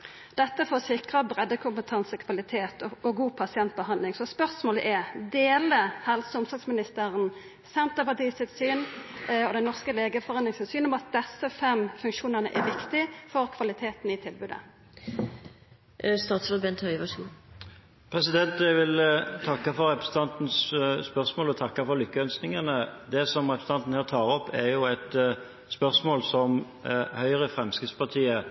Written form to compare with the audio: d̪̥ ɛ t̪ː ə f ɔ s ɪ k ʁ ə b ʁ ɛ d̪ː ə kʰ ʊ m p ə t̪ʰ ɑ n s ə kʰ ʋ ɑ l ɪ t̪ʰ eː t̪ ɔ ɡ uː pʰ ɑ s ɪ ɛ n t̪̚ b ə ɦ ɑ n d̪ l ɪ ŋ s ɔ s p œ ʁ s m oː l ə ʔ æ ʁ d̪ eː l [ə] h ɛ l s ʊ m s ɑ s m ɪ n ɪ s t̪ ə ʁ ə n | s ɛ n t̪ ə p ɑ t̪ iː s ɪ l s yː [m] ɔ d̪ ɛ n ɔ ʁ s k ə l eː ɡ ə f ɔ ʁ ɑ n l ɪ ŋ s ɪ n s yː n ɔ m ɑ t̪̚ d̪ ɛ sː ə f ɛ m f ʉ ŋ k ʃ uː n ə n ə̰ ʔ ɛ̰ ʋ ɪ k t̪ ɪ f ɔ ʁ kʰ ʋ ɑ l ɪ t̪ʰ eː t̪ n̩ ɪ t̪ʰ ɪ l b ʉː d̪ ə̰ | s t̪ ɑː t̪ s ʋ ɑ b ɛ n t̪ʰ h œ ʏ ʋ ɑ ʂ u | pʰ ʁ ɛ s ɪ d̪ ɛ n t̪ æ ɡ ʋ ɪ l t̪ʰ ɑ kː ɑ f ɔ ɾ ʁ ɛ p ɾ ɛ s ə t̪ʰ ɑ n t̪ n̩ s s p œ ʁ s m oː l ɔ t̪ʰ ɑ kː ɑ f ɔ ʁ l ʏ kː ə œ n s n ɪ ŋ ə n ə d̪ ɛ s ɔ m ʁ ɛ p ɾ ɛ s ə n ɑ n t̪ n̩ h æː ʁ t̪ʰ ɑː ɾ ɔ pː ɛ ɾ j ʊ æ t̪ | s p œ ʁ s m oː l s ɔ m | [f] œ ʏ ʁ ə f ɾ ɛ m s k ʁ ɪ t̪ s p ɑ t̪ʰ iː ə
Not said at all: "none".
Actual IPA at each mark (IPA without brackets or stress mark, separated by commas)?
ə, n, h